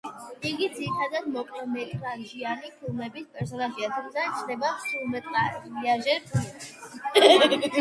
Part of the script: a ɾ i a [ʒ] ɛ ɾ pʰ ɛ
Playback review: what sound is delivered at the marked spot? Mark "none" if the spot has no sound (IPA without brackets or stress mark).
ʒ